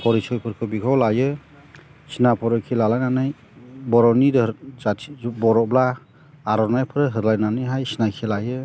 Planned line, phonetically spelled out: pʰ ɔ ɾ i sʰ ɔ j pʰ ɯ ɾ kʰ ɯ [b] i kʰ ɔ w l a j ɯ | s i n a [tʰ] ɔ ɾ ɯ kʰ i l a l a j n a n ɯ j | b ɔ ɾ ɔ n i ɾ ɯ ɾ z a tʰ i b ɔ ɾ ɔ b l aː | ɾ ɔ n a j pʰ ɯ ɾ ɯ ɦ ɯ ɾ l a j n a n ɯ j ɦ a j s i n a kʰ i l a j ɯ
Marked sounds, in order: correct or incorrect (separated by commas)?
correct, incorrect